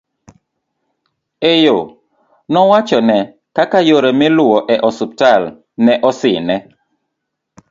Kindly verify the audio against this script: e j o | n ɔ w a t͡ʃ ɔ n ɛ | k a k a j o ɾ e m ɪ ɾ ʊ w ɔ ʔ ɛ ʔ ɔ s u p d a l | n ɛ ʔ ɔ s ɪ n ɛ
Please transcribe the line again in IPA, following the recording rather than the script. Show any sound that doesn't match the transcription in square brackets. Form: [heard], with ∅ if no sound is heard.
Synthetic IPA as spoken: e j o | n ɔ w a t͡ʃ ɔ n ɛ | k a k a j o ɾ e m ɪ [l] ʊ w ɔ ʔ ɛ ʔ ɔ s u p [t] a l | n ɛ ʔ ɔ s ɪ n ɛ